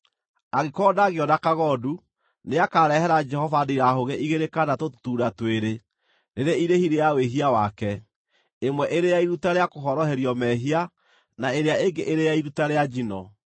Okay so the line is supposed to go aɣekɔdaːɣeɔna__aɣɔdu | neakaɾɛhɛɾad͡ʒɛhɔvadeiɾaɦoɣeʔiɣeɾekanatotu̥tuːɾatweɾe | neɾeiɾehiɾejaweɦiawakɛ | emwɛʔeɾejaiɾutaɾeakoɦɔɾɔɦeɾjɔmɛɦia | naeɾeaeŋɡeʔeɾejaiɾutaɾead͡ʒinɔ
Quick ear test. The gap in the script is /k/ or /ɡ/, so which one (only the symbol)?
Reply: k